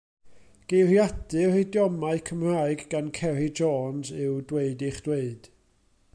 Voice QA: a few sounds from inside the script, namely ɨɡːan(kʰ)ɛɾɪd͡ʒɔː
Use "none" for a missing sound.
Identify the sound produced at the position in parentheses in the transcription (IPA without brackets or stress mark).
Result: kʰ